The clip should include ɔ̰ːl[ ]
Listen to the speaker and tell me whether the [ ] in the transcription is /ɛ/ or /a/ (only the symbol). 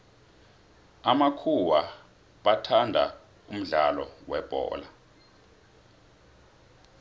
a